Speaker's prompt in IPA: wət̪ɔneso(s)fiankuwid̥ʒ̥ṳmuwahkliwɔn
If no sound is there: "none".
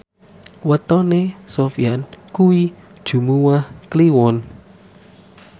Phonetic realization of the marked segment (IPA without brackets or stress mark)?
none